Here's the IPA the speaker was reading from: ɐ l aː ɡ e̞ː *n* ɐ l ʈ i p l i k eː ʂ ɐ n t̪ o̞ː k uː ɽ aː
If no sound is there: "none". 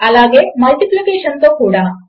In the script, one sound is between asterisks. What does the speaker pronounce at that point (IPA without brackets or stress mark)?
m